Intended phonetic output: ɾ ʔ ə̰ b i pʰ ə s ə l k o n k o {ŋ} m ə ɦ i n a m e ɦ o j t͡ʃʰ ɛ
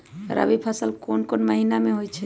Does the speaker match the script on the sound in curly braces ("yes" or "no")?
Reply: no